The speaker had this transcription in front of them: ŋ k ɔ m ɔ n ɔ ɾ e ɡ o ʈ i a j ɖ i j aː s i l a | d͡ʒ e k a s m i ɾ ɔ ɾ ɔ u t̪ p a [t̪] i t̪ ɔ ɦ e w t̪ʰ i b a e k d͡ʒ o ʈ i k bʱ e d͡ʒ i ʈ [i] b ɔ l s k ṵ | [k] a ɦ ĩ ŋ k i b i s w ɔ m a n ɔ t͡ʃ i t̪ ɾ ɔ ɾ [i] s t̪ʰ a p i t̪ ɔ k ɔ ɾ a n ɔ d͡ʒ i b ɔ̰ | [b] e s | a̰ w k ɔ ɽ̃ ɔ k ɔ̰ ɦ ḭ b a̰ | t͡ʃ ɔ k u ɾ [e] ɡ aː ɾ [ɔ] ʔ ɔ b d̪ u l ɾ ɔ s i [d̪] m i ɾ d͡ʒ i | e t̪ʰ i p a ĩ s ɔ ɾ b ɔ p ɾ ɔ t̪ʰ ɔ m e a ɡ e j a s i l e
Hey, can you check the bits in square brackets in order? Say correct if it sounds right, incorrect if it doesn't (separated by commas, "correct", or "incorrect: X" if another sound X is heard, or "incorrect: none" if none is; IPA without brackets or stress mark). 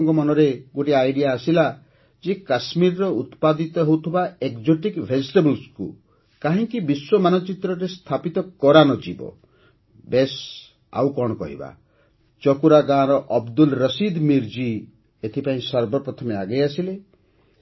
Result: incorrect: d̪, incorrect: e, correct, incorrect: e, correct, incorrect: a, correct, correct